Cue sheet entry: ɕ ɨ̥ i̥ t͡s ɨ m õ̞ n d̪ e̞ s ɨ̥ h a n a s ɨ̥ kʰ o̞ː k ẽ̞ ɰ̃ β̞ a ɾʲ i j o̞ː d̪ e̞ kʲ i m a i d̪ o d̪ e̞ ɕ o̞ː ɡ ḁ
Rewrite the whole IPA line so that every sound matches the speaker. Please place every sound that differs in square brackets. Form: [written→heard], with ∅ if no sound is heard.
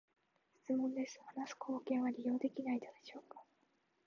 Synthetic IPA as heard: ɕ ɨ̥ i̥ t͡s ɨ m õ̞ n d̪ e̞ s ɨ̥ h a n a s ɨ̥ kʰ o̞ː k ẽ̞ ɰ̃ β̞ a ɾʲ i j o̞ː d̪ e̞ kʲ i [m→n] a i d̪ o d̪ e̞ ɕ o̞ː [ɡ→k] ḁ